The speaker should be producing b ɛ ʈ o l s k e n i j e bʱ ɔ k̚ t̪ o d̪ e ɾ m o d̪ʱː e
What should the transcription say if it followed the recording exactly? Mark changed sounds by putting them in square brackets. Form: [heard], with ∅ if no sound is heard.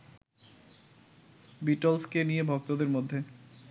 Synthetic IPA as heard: b [i] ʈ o l s k e n i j e bʱ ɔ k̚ t̪ o d̪ e ɾ m o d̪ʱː e